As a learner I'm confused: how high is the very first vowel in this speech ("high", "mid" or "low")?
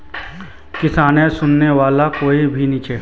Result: high